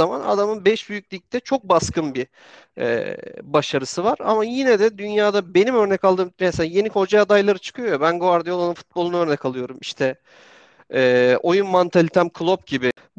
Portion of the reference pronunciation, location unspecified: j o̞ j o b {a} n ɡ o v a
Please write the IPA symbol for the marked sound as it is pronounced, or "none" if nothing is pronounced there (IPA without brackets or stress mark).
æ